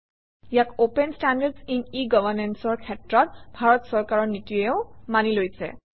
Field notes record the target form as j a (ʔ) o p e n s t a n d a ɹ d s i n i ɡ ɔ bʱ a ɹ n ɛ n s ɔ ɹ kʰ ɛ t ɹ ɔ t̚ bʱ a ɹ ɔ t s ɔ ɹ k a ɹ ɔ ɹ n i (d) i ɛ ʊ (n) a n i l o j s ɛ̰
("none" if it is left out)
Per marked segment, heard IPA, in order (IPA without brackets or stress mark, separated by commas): k, t, m